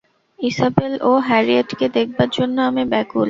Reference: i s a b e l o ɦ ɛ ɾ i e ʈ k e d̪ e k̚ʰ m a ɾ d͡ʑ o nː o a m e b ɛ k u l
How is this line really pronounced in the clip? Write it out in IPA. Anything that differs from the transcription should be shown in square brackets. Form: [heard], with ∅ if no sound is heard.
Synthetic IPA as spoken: i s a b e l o ɦ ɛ ɾ i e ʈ k e d̪ e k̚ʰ [b] a ɾ d͡ʑ o nː o a m e b ɛ k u l

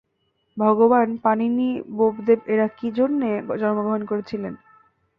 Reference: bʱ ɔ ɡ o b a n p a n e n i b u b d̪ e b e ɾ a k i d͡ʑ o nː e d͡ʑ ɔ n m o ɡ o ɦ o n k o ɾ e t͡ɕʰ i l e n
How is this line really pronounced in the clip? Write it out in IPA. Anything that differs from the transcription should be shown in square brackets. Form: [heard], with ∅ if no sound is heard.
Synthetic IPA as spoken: bʱ ɔ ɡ o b a n p a n [i] n i b [o] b d̪ e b e ɾ a k i d͡ʑ o nː e d͡ʑ ɔ n m o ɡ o ɦ o n k o ɾ e t͡ɕʰ i l e n

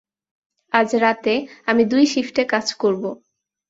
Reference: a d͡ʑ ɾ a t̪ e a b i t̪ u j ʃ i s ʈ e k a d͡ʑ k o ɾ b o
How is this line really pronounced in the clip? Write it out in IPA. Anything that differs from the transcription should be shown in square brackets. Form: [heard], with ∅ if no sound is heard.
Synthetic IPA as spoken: a d͡ʑ ɾ a t̪ e a [m] i [d̪] u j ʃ i [f] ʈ e k a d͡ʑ k o ɾ b o

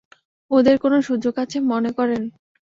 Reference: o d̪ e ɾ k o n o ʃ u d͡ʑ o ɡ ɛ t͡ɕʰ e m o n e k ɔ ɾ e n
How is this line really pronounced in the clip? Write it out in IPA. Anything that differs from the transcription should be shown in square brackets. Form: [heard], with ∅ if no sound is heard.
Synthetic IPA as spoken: o d̪ e ɾ k o n o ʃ u d͡ʑ o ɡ [a] t͡ɕʰ e m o n e k ɔ ɾ e n

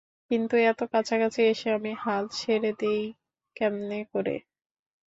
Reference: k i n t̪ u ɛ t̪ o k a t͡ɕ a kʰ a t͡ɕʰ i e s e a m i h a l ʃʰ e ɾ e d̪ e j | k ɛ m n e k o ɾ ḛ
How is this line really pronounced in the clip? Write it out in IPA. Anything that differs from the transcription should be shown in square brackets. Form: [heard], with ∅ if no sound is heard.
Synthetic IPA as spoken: k i n t̪ u ɛ t̪ o k a [t͡ɕʰ] a [k] a t͡ɕʰ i e [ʃ] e a m i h a l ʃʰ e ɾ e d̪ e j | k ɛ m n e k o ɾ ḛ

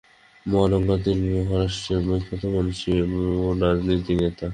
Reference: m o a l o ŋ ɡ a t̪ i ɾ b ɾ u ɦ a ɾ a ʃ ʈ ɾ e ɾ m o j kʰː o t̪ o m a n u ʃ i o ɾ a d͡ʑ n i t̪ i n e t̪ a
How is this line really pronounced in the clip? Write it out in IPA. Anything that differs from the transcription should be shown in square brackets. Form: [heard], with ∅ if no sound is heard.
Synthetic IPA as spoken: m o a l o ŋ ɡ a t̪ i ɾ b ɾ u ɦ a ɾ a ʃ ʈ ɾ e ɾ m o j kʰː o t̪ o m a n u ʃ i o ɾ a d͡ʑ n i t̪ i n e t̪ a

